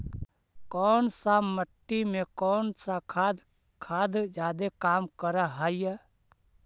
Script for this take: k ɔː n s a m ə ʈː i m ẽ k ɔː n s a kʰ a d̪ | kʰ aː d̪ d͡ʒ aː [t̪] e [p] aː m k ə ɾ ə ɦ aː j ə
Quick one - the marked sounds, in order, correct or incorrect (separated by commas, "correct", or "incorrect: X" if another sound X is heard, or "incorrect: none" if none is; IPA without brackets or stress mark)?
incorrect: d̪, incorrect: k